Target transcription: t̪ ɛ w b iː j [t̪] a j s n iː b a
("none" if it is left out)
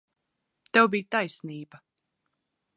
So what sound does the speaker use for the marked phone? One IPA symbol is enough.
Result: t̪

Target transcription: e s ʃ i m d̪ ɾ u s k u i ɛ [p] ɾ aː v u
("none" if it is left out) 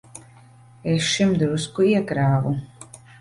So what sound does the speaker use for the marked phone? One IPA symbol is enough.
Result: k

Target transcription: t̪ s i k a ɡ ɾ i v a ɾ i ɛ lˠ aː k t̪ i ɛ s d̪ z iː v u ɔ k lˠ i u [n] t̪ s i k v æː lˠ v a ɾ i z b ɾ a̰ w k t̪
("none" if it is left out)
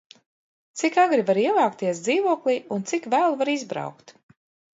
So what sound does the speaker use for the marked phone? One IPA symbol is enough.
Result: n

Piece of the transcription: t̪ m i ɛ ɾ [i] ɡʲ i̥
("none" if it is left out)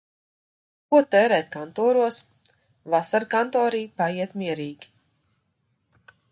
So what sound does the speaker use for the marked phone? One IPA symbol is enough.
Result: iː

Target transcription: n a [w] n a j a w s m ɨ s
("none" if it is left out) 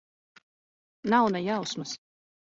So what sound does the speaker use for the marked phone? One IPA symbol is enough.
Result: w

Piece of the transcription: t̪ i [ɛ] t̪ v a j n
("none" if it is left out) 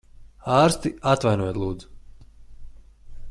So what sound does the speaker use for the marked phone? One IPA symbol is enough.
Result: a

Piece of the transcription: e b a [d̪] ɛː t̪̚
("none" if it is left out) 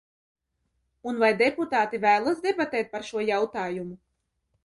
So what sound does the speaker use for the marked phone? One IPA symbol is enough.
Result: t̪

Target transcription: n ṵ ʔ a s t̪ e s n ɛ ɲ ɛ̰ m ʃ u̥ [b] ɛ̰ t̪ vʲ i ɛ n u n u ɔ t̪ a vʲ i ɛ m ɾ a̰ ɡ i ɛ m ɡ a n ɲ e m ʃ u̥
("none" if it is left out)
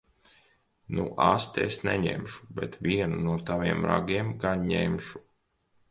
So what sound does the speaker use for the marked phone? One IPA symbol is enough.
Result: b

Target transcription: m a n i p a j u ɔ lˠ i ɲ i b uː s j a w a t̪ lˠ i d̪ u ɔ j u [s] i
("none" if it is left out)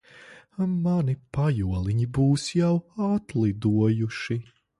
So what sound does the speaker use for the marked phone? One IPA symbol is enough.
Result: ʃ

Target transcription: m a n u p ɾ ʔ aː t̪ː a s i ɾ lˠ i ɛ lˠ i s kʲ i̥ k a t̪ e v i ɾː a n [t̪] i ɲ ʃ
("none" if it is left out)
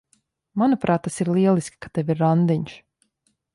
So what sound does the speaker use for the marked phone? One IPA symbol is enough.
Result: d̪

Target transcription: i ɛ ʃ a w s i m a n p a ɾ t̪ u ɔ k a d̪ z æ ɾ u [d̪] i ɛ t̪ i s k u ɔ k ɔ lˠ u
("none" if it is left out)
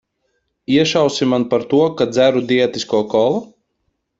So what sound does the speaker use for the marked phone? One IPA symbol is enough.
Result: d̪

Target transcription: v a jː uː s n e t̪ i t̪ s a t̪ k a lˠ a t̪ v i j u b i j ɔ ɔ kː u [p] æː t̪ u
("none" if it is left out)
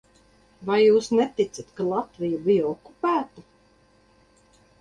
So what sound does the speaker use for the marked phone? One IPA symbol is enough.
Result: p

